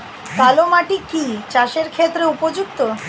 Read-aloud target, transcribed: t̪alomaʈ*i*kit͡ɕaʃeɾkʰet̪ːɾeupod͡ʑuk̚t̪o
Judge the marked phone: correct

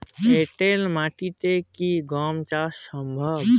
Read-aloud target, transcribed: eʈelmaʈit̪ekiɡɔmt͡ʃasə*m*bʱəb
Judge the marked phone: correct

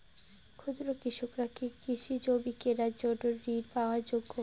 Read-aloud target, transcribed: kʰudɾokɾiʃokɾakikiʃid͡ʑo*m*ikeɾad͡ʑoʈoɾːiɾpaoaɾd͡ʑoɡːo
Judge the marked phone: incorrect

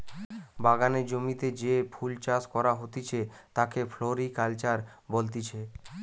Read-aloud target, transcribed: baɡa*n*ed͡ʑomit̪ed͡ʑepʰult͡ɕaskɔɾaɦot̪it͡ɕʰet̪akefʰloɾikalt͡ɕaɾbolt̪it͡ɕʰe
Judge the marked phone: correct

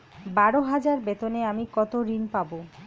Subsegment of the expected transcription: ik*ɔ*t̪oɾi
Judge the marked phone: correct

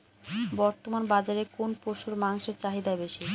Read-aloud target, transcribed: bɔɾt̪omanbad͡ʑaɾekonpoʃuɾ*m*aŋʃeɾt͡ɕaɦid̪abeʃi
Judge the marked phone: correct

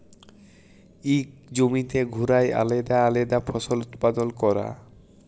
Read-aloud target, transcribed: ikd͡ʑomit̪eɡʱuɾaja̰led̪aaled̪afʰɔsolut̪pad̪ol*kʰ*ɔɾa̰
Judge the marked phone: incorrect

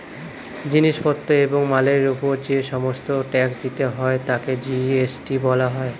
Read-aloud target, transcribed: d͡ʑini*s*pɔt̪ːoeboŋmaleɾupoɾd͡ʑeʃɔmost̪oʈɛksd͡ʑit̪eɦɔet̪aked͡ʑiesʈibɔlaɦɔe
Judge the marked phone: incorrect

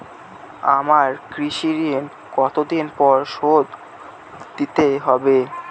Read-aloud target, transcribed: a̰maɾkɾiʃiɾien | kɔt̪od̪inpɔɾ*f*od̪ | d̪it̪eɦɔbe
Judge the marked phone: incorrect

